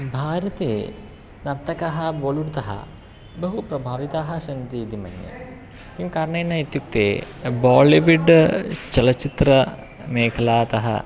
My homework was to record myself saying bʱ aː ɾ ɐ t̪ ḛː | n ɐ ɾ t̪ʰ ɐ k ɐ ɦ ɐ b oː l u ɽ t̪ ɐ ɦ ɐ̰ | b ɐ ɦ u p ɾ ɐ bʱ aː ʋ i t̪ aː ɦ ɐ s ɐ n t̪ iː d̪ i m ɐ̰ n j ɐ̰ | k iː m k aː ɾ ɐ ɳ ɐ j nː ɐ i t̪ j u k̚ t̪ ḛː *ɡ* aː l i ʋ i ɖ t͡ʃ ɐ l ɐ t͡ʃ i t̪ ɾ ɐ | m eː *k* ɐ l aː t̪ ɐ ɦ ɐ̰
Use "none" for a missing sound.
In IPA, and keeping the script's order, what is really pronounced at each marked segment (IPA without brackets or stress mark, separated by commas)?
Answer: b, kʰ